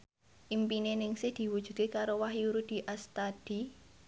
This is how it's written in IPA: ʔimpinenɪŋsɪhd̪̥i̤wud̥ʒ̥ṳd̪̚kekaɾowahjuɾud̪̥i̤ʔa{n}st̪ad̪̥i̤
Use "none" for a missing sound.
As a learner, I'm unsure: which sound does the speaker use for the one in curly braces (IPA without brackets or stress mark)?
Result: none